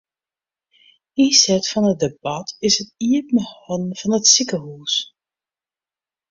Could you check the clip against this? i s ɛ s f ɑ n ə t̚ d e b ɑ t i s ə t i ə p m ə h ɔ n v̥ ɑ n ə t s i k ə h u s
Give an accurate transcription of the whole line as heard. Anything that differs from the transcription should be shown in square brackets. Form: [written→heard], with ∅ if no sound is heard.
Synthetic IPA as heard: i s ɛ [s→t] f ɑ n ə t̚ d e b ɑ t [i→ɪ] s ə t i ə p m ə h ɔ n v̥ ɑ n ə t s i k ə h u s